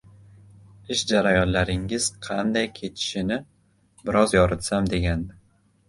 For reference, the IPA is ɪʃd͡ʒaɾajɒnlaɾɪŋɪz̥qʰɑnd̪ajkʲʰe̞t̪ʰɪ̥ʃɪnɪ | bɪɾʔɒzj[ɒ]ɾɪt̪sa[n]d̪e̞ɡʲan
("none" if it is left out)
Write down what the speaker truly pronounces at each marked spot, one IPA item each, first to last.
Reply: ɒ, m

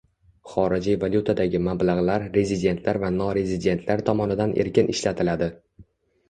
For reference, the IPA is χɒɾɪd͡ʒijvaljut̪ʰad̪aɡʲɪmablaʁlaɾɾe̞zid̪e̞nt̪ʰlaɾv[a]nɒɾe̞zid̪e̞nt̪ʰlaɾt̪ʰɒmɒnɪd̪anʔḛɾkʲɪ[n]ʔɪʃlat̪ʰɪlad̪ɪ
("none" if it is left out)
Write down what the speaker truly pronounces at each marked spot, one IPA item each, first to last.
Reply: a, n

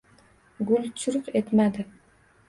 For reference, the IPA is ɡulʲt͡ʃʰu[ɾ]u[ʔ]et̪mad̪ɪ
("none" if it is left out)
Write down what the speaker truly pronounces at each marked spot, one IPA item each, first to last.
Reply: ɾ, q

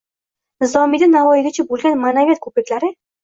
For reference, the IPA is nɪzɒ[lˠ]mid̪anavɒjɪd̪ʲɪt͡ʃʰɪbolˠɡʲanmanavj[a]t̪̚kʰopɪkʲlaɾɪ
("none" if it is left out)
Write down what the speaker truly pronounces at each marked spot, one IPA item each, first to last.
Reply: none, a

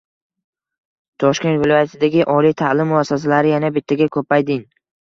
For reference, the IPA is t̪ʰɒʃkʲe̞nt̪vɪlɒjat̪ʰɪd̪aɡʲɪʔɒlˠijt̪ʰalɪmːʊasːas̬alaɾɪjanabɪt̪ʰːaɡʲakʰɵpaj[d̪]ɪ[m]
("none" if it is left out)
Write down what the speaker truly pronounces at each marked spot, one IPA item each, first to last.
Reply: d̪, ŋ

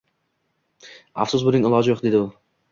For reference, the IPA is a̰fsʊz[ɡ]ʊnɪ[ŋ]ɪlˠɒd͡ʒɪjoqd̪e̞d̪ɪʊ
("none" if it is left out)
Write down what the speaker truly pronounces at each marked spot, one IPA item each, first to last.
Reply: b, ŋ

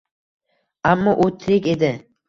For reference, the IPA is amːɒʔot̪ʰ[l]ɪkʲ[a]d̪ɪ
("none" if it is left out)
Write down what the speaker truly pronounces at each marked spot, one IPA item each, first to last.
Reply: ɾ, e

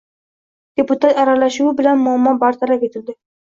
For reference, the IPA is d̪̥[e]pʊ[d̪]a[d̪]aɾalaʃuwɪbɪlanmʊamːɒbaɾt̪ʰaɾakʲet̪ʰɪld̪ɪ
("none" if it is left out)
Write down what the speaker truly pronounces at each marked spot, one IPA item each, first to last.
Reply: e, t̪, t̪

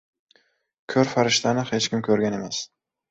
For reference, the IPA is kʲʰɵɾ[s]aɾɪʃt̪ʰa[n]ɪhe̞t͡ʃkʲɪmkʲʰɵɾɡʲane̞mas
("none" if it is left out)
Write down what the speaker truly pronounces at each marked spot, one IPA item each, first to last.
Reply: f, n

